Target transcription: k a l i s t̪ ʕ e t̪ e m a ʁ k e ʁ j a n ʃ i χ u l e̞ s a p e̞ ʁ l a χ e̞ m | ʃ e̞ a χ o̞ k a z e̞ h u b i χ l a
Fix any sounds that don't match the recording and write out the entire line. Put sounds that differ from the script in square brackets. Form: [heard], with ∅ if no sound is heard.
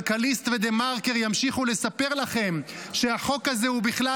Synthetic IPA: k a l i s t̪ [v] e [d̪] e m a ʁ k e ʁ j a [m] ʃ i χ u l e̞ s a p e̞ ʁ l a χ e̞ m | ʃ e̞ a χ o̞ k a z e̞ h u b i χ l a